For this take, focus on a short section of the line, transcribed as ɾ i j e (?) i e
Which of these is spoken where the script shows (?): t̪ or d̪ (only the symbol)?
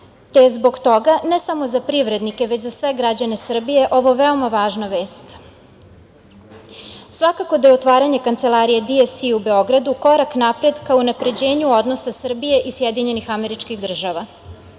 d̪